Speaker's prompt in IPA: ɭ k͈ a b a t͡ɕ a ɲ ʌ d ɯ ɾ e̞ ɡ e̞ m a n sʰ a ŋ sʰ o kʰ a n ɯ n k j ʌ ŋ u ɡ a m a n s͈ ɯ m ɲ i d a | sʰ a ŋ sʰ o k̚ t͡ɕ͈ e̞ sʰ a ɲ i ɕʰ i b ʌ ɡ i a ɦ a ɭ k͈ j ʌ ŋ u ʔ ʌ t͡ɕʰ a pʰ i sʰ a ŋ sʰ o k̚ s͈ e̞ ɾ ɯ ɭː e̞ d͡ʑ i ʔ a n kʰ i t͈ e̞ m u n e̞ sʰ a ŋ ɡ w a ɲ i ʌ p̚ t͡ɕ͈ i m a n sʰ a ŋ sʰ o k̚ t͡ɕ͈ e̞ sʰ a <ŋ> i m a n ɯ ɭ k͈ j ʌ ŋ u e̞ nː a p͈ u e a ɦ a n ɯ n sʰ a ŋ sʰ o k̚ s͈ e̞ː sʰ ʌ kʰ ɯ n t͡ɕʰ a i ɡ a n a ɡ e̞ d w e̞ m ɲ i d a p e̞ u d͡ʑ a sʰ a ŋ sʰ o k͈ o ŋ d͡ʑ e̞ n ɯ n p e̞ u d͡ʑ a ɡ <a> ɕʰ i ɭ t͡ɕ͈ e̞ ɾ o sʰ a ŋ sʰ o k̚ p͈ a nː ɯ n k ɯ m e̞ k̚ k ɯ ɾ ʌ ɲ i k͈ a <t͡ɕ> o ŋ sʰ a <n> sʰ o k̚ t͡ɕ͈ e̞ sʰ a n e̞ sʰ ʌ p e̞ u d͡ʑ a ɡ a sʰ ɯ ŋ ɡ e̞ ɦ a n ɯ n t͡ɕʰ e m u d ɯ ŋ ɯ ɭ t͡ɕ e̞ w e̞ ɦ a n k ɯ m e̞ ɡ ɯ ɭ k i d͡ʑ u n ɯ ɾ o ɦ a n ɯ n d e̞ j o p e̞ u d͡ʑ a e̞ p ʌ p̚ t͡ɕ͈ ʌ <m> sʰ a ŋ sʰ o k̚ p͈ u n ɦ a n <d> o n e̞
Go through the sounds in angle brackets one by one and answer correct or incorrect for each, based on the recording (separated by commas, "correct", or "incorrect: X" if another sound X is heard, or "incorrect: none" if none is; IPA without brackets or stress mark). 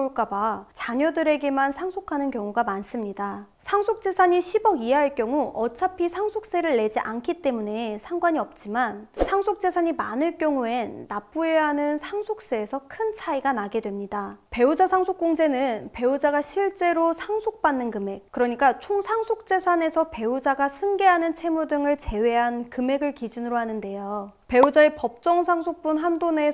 incorrect: ɲ, correct, incorrect: t͡ɕʰ, incorrect: ŋ, incorrect: ŋ, correct